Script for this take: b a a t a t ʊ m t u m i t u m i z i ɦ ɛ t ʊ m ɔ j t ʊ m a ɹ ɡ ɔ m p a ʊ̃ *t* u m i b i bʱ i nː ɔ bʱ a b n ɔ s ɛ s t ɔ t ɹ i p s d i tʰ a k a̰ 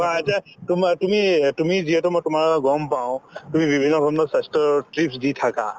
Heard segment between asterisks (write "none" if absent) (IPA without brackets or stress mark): t